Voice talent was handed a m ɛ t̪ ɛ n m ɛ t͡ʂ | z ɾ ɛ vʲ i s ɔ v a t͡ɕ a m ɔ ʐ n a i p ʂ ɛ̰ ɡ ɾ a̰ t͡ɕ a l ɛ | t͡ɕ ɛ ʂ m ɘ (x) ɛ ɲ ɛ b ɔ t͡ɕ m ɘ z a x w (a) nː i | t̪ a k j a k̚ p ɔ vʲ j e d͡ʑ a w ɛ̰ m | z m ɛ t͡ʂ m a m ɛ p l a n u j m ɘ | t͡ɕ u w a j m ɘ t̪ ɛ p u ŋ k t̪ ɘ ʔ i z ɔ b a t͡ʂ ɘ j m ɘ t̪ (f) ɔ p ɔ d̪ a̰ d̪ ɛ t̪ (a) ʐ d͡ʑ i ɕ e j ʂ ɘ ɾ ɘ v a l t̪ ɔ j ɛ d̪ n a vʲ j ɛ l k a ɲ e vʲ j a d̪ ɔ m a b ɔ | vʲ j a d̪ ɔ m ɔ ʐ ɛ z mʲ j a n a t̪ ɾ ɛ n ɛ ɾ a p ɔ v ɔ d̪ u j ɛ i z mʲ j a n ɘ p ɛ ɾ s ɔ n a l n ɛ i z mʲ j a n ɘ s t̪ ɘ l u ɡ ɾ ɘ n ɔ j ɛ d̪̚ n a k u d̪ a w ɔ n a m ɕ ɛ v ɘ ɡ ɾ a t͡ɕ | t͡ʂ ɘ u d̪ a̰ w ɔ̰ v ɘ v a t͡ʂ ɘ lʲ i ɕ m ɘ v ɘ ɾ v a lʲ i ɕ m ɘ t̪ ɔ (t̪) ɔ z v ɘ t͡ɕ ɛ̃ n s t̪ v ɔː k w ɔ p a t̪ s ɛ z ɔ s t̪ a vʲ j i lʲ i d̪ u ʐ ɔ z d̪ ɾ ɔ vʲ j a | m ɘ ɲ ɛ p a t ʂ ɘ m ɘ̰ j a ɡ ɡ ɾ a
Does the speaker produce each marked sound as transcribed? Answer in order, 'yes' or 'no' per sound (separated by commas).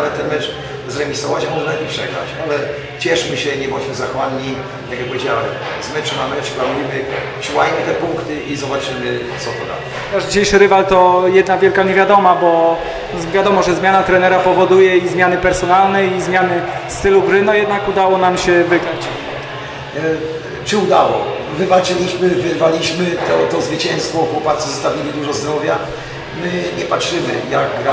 no, yes, no, yes, yes